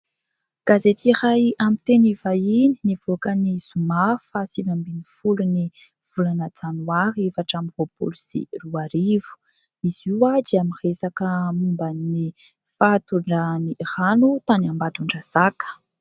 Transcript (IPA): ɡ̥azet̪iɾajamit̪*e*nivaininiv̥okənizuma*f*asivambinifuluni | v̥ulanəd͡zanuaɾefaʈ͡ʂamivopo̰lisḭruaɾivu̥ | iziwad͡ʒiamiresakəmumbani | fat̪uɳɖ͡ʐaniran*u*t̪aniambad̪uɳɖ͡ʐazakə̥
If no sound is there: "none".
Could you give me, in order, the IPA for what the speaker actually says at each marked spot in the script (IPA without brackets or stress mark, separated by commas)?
e, f, u